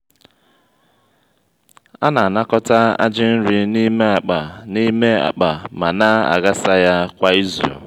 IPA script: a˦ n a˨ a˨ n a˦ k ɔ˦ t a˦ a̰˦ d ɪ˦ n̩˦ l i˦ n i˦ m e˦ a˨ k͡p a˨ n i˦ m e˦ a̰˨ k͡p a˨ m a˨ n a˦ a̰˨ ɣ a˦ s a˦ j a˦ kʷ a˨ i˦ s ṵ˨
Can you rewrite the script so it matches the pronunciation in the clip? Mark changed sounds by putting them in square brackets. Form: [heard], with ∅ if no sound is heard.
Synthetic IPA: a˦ n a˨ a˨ n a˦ k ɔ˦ t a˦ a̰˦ [d͡ʒ] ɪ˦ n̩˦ [ɾ] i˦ n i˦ m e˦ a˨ k͡p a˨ n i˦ m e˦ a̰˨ k͡p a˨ m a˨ n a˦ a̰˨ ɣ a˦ s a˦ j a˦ kʷ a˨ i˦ [z] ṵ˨